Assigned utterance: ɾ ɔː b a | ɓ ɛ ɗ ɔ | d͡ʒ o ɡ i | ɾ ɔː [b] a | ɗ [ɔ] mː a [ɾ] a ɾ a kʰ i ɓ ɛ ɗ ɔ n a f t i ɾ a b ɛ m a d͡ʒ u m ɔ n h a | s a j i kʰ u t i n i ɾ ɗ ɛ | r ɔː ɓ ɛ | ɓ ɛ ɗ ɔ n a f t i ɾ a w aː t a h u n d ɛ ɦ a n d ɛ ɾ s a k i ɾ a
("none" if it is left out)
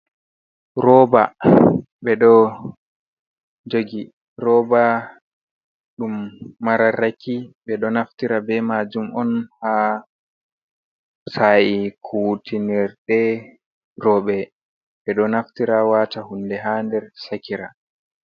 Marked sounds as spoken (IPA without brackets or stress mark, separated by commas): b, u, ɾ